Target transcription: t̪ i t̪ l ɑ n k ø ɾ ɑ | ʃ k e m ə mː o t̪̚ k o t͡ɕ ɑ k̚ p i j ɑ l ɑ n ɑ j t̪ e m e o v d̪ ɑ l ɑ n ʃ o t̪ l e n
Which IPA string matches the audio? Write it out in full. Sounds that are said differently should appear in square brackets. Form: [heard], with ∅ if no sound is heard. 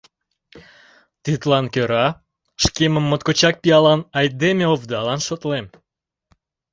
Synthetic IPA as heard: t̪ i t̪ l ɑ n k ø ɾ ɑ | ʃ k e m ə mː o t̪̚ k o t͡ɕ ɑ k̚ p i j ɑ l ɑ n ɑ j [d̪] e m e o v d̪ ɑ l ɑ n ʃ o t̪ l e [m]